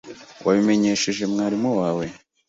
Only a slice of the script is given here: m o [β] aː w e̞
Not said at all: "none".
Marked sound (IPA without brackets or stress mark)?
w